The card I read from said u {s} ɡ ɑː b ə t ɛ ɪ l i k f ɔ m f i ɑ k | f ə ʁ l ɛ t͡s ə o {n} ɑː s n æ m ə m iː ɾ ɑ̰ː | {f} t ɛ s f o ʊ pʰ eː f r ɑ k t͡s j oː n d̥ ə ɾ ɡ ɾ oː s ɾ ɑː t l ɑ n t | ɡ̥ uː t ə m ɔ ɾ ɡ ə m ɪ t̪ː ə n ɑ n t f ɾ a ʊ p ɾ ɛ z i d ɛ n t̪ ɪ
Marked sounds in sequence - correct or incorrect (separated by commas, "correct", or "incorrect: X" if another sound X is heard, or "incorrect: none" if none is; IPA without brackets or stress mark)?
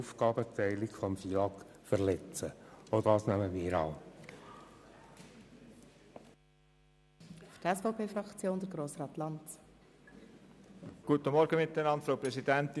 incorrect: f, incorrect: d, correct